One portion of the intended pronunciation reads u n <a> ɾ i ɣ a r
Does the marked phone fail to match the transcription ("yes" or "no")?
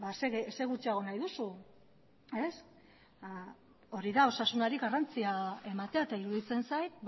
no